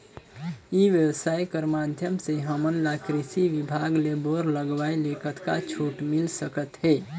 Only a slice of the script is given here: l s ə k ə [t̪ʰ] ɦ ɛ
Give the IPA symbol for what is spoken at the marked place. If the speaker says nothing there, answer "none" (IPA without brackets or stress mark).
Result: t̪